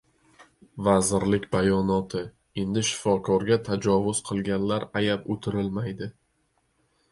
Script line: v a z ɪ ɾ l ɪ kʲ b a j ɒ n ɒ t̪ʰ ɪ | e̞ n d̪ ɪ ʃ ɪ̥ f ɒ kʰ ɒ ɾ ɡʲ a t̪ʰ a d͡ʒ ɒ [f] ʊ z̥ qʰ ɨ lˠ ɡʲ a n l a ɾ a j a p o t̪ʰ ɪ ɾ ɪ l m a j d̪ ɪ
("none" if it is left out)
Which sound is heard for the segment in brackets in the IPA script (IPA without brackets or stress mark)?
v